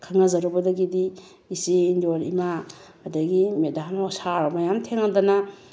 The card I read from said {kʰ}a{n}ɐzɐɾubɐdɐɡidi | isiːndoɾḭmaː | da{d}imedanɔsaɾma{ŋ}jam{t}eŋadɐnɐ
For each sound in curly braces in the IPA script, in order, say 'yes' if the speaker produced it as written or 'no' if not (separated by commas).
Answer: yes, no, no, no, no